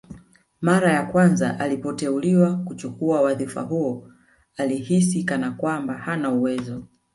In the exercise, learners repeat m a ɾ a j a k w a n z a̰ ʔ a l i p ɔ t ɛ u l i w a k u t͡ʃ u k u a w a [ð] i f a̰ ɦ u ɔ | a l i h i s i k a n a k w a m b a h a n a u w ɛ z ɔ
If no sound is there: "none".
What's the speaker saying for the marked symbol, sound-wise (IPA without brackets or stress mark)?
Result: ð